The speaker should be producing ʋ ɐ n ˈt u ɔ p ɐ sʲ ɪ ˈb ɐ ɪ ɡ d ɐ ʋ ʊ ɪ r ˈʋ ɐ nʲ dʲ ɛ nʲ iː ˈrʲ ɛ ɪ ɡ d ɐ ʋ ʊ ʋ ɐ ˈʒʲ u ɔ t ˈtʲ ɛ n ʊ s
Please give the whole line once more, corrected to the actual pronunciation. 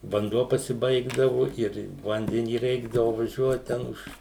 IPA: ʋ ɐ n ˈd u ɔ p ɐ sʲ ɪ ˈb ɐ ɪ ɡ d ɐ ʋ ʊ ɪ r ˈʋ ɐ nʲ dʲ ɛ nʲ iː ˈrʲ ɛ ɪ ɡ d ɐ ʋ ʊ ʋ ɐ ˈʒʲ u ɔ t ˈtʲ ɛ n ʊ ʃ